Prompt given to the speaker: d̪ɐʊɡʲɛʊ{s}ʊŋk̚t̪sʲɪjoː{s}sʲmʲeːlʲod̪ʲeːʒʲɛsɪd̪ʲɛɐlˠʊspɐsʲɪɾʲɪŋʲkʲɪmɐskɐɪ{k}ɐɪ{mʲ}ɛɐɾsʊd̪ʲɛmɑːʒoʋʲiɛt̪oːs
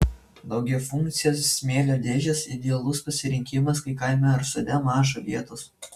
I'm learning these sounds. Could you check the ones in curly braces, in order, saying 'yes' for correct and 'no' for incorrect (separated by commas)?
no, yes, yes, yes